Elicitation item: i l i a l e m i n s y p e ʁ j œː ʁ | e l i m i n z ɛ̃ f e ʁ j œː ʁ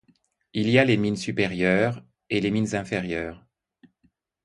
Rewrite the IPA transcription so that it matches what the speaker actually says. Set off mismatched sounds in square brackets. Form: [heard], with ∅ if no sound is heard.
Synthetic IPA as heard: i l i a l e m i n s y p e ʁ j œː ʁ | e l [e] m i n z ɛ̃ f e ʁ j œː ʁ

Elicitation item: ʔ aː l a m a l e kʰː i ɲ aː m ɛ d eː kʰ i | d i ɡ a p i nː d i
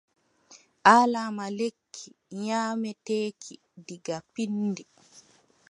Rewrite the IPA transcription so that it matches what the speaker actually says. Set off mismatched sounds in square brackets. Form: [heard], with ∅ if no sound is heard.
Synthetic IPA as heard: ʔ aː l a m a l e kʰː i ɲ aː m ɛ [t] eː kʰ i | d i ɡ a p i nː d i

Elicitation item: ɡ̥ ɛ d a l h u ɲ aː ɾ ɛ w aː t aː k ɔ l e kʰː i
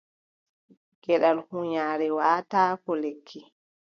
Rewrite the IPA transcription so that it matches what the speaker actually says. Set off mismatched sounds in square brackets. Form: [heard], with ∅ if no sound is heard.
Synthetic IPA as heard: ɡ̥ ɛ [ɗ] a l h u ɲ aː ɾ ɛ w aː t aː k ɔ l e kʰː i

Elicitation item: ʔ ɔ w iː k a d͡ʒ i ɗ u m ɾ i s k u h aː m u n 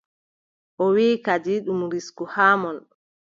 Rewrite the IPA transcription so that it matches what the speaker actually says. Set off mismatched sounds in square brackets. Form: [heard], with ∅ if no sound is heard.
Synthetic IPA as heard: ʔ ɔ w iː k a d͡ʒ i ɗ u m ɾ i s k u h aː m [ɔ] n

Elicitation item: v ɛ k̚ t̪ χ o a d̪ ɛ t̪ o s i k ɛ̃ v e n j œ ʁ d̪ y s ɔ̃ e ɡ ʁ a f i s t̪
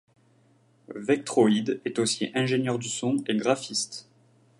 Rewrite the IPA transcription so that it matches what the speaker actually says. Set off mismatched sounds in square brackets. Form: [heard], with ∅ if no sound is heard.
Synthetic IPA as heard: v ɛ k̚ t̪ χ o [i] d̪ ɛ t̪ o s i [ʔ] ɛ̃ [ʒ] e n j œ ʁ d̪ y s ɔ̃ e ɡ ʁ a f i s t̪

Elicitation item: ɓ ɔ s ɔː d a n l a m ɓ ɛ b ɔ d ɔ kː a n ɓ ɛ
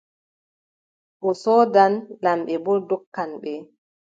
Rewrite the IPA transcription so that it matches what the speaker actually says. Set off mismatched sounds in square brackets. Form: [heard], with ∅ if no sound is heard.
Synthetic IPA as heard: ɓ ɔ s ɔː d a n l a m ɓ ɛ b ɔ d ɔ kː a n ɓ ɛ

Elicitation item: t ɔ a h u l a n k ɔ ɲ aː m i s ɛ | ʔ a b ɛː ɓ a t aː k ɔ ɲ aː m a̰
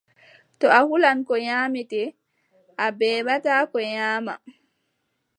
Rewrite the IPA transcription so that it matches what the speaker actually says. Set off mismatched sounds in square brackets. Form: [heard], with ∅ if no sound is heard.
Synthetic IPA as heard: t ɔ a h u l a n k ɔ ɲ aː m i [t] ɛ | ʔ a b ɛː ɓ a t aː k ɔ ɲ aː m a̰

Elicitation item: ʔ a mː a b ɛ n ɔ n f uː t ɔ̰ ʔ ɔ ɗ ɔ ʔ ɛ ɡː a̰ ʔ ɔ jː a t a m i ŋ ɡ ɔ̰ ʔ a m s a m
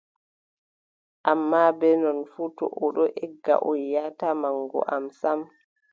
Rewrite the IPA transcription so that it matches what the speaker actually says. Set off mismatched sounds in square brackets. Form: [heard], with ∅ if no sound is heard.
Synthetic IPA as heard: ʔ a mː a b ɛ n ɔ n f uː t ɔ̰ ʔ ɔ ɗ ɔ ʔ ɛ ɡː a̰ ʔ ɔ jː a t a m [a] ŋ ɡ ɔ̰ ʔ a m s a m

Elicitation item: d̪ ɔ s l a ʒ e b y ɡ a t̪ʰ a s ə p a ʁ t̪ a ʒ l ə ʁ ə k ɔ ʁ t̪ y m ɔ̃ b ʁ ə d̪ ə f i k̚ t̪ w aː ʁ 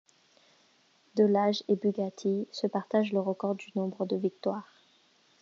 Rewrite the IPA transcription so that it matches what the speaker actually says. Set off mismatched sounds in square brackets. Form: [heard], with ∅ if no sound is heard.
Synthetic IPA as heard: d̪ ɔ [∅] l a ʒ e b y ɡ a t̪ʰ [i] s ə p a ʁ t̪ a ʒ l ə ʁ ə k ɔ ʁ [d̪] y [n] ɔ̃ b ʁ ə d̪ ə [v] i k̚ t̪ w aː ʁ

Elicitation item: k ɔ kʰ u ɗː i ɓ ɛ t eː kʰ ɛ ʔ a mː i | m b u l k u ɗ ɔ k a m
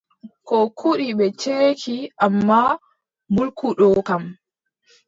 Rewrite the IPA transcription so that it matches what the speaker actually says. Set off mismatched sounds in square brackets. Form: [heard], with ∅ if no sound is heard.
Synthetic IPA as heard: k ɔ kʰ u [ɗ] i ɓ ɛ [t͡ʃ] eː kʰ [i] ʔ a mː [a] | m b u l k u ɗ ɔ k a m

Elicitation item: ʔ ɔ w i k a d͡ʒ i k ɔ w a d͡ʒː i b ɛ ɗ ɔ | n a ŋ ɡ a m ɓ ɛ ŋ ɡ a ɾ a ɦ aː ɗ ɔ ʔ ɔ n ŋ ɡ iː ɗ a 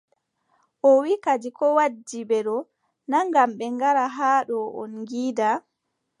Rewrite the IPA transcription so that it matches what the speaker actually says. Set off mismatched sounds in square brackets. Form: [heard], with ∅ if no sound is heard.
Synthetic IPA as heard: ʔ ɔ w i k a d͡ʒ i k ɔ w a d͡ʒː i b ɛ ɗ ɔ | n a ŋ ɡ a m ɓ ɛ ŋ ɡ a ɾ a ɦ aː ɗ ɔ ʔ ɔ n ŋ ɡ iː [d] a

